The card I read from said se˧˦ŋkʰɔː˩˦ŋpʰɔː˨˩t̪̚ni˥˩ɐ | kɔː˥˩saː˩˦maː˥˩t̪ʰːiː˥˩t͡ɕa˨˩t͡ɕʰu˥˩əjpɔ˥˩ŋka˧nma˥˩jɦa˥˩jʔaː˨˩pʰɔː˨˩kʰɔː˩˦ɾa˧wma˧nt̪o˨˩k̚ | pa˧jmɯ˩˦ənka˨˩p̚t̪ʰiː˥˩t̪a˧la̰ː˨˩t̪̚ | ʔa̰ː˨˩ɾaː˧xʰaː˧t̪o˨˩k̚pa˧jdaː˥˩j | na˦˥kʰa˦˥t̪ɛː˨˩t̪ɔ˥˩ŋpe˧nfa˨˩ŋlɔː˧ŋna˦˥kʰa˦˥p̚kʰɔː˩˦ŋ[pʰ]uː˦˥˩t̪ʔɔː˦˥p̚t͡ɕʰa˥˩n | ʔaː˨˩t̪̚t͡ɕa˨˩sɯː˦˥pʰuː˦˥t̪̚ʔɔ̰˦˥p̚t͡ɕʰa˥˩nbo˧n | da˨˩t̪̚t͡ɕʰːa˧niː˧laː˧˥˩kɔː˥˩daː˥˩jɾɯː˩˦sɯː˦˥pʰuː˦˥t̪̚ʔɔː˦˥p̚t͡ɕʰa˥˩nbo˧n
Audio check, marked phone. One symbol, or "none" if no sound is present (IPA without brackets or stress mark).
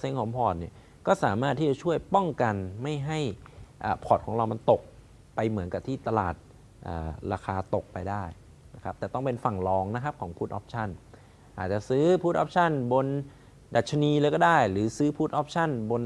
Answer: pʰ